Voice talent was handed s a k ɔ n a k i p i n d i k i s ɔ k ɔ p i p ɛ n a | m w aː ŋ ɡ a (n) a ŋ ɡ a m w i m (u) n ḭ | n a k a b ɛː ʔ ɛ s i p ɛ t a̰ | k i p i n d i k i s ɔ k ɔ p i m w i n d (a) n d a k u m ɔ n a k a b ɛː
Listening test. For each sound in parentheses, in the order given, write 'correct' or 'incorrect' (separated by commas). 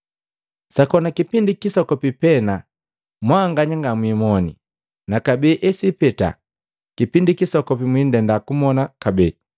incorrect, incorrect, incorrect